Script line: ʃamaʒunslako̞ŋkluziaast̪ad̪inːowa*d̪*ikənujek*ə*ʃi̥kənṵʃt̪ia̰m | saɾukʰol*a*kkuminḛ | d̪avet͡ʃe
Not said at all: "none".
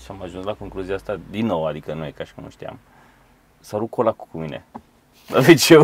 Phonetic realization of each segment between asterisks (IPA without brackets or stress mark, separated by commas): d̪, a, a